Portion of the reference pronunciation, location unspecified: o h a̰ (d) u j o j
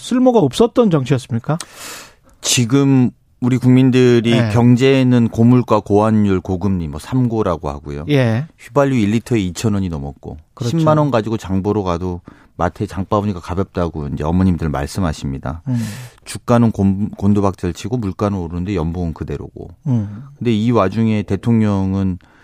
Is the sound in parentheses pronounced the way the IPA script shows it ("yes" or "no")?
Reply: no